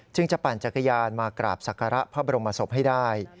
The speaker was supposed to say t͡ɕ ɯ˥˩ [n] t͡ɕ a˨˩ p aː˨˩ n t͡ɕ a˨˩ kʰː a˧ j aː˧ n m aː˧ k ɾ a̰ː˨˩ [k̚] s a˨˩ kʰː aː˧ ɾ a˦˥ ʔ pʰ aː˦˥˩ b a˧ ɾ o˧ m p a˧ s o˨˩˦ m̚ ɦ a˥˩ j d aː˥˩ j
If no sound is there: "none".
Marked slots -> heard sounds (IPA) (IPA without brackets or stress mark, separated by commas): ŋ, p̚